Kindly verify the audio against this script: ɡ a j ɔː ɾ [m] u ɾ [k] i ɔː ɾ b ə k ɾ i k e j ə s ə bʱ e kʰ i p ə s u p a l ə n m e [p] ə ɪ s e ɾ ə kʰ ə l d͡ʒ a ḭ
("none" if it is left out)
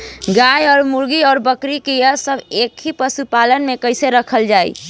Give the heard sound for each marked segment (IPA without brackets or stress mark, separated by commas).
m, ɡ, k